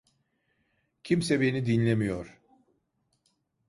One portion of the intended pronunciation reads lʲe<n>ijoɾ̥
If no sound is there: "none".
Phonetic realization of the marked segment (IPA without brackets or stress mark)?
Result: m